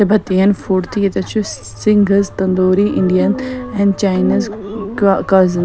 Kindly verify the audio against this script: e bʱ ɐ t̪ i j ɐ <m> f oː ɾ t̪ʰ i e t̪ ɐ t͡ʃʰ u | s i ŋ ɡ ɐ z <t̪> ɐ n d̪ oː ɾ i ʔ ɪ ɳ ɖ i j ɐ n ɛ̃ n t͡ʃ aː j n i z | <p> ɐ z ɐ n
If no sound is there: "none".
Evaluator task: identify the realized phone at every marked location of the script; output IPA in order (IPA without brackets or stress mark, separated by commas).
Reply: n, t̪, k